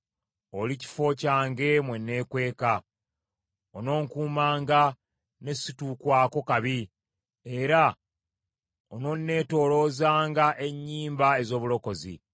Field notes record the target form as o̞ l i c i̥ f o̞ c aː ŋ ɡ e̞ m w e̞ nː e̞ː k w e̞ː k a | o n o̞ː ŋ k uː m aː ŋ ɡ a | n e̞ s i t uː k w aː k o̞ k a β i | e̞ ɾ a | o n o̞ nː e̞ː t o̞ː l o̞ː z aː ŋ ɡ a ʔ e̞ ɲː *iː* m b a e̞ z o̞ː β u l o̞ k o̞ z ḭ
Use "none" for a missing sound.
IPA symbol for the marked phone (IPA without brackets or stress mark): iː